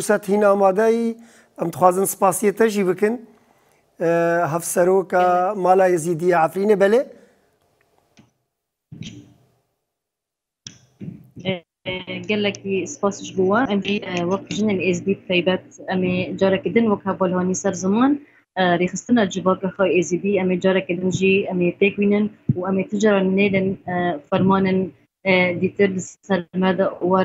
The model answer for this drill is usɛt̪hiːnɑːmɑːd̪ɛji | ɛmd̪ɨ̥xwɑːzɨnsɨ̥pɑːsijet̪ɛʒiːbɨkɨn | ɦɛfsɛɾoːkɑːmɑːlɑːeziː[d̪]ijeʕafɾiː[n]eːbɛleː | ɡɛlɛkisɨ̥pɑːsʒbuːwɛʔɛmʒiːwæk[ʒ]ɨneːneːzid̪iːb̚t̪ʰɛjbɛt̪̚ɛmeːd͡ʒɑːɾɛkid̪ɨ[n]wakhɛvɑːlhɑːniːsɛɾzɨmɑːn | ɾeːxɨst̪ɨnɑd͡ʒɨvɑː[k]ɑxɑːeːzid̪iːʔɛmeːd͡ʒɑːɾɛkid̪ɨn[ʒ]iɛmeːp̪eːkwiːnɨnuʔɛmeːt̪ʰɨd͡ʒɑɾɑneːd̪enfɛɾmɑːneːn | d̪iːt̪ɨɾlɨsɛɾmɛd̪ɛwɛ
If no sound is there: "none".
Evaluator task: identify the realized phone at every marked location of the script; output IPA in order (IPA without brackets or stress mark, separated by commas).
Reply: d̪, n, ʒ, n, k, ʒ